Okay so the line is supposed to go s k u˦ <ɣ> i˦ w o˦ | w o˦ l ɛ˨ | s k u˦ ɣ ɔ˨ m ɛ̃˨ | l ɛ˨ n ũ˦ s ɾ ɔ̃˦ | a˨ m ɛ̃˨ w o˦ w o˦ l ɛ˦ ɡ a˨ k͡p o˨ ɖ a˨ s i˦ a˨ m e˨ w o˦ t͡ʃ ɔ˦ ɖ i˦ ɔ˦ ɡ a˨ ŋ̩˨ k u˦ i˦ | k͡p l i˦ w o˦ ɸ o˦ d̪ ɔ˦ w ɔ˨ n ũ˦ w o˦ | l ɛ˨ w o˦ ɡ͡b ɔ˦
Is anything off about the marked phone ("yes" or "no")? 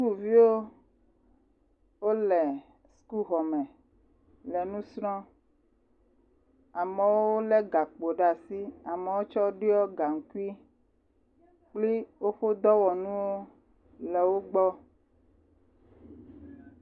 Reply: yes